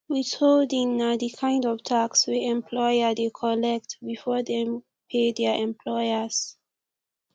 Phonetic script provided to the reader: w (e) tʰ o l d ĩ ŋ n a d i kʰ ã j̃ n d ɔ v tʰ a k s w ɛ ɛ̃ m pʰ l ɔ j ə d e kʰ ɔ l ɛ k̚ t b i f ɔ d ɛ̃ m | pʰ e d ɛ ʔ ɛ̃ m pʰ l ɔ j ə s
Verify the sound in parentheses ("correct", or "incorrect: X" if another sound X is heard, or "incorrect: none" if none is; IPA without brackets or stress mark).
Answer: incorrect: i